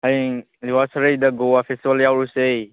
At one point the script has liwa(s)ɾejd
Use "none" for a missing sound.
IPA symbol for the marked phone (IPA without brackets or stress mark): s